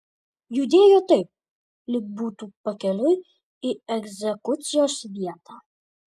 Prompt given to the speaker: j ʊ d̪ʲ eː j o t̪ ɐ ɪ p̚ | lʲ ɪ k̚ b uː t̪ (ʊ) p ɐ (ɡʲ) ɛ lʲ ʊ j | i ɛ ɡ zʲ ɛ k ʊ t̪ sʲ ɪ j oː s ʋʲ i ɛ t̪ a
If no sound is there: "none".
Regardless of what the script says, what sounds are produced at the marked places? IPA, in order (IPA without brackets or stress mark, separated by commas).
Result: u, kʲ